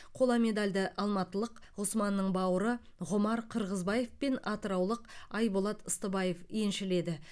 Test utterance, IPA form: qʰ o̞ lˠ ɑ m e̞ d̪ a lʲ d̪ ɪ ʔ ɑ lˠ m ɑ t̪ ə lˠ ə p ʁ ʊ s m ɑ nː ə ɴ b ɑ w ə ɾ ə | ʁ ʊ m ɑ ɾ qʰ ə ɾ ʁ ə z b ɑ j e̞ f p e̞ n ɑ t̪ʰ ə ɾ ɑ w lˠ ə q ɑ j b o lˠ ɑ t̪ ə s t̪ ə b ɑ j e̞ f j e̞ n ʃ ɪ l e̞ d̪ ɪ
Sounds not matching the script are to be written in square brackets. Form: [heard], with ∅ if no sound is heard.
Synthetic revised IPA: qʰ o̞ lˠ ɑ m e̞ d̪ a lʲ d̪ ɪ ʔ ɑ lˠ m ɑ t̪ ə lˠ ə [q] ʁ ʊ s m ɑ nː ə ɴ b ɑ w ə ɾ ə | ʁ ʊ m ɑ ɾ qʰ ə ɾ ʁ ə z b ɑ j e̞ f p e̞ n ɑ [t̪] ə ɾ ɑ w lˠ ə q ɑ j b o lˠ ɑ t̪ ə s t̪ ə b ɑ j e̞ f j e̞ n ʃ ɪ l e̞ d̪ ɪ

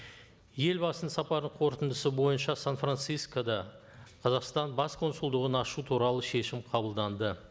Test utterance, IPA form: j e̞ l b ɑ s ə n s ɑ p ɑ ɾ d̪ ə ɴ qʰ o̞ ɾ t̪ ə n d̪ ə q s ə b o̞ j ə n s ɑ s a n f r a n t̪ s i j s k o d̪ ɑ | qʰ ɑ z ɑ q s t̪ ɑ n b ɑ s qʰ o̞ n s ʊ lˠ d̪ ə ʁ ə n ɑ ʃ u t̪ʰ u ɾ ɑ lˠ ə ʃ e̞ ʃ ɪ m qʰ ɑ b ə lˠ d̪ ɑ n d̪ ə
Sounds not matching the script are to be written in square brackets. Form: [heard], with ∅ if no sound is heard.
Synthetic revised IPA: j e̞ l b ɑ s ə n s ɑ p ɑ ɾ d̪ ə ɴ qʰ o̞ ɾ t̪ ə n d̪ ə [∅] s ə b o̞ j ə n [ʃ] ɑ s a n f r a n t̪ s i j s k o d̪ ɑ | qʰ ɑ z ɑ q s t̪ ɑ n b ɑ s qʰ o̞ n s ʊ lˠ d̪ ə ʁ ə n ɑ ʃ u t̪ʰ u ɾ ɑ lˠ ə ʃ e̞ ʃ ɪ m qʰ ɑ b ə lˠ d̪ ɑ n d̪ ə

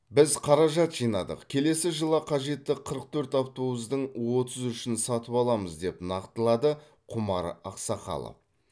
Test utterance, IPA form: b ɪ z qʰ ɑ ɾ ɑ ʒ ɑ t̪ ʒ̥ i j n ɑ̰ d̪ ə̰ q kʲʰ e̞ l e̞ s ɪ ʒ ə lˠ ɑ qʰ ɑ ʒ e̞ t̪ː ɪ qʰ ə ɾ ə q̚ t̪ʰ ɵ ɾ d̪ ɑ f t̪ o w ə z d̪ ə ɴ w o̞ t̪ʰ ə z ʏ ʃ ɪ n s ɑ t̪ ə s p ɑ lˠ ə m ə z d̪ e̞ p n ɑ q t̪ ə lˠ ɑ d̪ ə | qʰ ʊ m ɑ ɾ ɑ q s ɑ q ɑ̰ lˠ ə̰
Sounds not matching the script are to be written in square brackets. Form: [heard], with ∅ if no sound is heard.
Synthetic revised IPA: b ɪ z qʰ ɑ ɾ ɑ ʒ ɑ t̪ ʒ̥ i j n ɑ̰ d̪ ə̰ q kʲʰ e̞ l e̞ s ɪ ʒ ə lˠ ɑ qʰ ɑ ʒ e̞ t̪ː ɪ qʰ ə ɾ ə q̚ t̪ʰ ɵ ɾ [t̪] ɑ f t̪ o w ə z d̪ ə ɴ w o̞ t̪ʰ ə z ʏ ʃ ɪ n s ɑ t̪ ə [∅] p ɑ lˠ [ɑ] m ə z d̪ e̞ p n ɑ q t̪ ə lˠ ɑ d̪ ə | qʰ ʊ m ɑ ɾ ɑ q s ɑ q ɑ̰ lˠ ə̰

